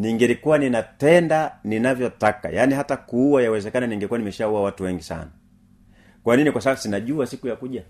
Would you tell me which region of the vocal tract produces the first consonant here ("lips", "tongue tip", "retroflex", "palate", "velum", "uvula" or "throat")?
tongue tip